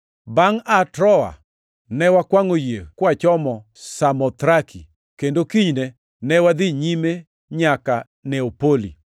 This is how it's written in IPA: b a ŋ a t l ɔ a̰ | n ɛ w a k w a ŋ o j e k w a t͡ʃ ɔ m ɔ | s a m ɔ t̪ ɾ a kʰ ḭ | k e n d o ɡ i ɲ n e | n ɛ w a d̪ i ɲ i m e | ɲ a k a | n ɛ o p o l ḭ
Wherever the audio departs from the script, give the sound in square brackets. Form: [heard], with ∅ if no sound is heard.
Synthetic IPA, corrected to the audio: b a ŋ a t [ɾ] ɔ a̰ | n ɛ w a k w a ŋ o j e k w a t͡ʃ ɔ m ɔ | s a m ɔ t̪ ɾ a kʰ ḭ | k e n d o [k] i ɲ n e | n ɛ w a d̪ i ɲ i m e | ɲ a k a | n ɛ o p o l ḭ